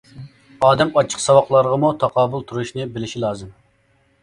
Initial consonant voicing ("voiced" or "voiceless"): voiced